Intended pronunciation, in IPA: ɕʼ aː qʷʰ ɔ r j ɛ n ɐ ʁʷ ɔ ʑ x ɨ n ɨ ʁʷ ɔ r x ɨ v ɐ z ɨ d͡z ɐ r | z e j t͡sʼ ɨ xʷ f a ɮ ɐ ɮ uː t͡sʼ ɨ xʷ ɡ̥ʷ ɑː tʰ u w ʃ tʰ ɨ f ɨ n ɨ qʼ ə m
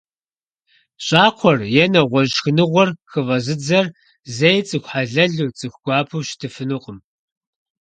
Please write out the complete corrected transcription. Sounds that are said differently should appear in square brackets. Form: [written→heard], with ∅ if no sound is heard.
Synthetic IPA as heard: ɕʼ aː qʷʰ ɔ r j ɛ n ɐ ʁʷ ɔ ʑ x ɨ n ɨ ʁʷ ɔ r x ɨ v ɐ z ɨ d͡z ɐ r | z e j t͡sʼ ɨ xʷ [f→ħ] a ɮ ɐ ɮ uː t͡sʼ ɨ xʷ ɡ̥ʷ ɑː [tʰ→pʰ] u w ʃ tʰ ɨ f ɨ n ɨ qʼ ə m

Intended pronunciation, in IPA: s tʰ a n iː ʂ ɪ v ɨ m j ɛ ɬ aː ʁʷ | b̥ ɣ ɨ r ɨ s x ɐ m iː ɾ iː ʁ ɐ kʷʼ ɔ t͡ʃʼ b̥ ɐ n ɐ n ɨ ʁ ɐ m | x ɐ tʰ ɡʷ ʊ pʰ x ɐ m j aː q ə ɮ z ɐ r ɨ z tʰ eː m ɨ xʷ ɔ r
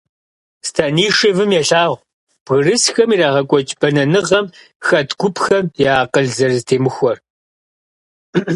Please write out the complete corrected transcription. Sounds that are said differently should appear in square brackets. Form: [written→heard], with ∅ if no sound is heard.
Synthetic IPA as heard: s tʰ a n iː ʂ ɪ v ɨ m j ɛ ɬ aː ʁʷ | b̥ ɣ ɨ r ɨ s x ɐ m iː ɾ [iː→aː] ʁ ɐ kʷʼ ɔ t͡ʃʼ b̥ ɐ n ɐ n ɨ ʁ ɐ m | x ɐ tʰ ɡʷ ʊ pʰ x ɐ m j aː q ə ɮ z ɐ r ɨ z tʰ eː m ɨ xʷ ɔ r

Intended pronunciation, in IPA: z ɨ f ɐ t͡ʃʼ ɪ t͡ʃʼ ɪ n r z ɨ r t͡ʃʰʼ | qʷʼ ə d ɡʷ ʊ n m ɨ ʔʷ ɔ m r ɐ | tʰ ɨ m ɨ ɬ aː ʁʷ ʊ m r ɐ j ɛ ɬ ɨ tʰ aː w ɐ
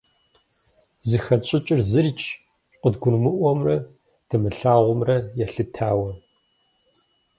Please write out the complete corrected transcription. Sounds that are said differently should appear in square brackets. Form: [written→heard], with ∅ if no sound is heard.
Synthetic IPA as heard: z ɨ [f→x] ɐ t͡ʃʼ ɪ t͡ʃʼ ɪ [n→∅] r z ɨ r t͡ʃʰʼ | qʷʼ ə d ɡʷ ʊ n m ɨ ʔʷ ɔ m r ɐ | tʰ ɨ m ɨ ɬ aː ʁʷ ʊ m r ɐ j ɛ ɬ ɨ tʰ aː w ɐ

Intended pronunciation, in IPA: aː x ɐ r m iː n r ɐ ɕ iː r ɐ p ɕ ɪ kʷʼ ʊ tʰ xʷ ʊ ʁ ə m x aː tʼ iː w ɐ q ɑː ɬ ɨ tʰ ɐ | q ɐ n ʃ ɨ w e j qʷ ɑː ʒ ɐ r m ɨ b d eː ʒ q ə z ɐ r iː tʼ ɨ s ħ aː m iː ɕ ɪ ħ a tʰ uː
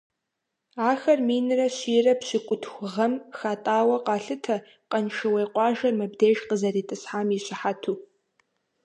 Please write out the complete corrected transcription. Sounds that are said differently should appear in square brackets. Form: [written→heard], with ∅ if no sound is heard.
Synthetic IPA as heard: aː x ɐ r m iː n r ɐ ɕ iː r ɐ p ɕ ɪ kʷʼ ʊ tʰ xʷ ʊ ʁ [ə→ɐ] m x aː tʼ [iː→aː] w ɐ q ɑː ɬ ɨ tʰ ɐ | q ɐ n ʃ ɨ w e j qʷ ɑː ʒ ɐ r m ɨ b d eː ʒ q ə z ɐ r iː tʼ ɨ s ħ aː m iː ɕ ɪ ħ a tʰ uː

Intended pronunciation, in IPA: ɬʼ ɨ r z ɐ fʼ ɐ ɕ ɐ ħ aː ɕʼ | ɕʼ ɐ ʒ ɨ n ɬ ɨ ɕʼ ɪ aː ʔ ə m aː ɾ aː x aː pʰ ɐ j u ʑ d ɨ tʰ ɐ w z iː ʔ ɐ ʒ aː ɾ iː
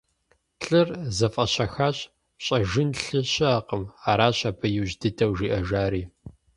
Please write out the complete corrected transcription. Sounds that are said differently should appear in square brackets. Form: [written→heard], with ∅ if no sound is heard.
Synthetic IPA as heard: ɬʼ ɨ r z ɐ fʼ ɐ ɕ ɐ [ħ→x] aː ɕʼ | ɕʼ ɐ ʒ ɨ n ɬ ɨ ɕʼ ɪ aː [ʔ→q] ə m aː ɾ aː [x→ɕ] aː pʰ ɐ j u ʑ d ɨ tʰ ɐ w [z→ʒ] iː ʔ ɐ ʒ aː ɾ iː

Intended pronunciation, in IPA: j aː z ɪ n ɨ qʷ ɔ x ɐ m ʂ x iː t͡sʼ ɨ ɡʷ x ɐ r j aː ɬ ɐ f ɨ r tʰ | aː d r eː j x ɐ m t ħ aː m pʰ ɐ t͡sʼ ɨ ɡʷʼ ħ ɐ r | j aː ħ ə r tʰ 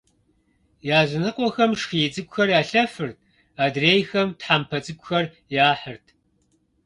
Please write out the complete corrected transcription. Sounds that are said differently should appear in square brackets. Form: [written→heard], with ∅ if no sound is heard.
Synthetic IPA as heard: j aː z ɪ n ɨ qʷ ɔ x ɐ m ʂ x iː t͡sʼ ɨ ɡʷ x ɐ r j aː ɬ ɐ f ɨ r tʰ | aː d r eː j x ɐ m t ħ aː m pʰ ɐ t͡sʼ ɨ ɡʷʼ [ħ→x] ɐ r | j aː ħ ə r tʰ

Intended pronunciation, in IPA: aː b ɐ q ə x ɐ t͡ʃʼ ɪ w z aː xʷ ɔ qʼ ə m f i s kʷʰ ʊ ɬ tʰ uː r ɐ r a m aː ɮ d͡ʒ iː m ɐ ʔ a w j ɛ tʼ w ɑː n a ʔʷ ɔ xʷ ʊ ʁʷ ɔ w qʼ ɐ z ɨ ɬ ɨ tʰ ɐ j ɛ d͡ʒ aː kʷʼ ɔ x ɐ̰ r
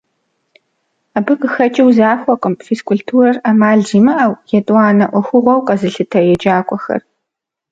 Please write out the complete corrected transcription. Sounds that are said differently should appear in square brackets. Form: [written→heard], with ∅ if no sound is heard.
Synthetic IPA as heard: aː b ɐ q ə x ɐ t͡ʃʼ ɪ w z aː xʷ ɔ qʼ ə m f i s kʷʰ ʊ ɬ tʰ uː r ɐ r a m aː ɮ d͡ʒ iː m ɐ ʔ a w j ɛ tʼ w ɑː n [a→ɐ] ʔʷ ɔ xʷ ʊ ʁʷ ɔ w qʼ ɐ z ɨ ɬ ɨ tʰ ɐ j ɛ d͡ʒ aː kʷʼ ɔ x ɐ̰ r

